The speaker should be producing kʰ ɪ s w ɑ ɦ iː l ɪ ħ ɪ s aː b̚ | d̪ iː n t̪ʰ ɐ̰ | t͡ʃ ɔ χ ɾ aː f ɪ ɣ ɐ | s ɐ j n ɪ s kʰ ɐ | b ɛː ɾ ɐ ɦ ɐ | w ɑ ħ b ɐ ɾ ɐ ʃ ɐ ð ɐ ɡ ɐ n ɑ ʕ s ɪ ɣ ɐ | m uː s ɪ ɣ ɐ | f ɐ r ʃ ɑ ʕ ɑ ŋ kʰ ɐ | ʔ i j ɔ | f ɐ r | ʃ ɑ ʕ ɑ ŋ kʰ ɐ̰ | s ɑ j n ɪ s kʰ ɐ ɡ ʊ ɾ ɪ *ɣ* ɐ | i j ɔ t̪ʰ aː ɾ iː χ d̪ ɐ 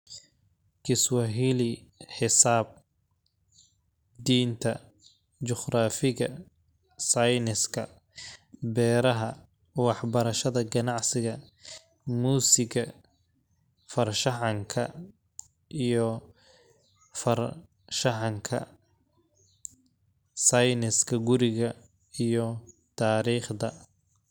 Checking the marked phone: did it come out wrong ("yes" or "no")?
no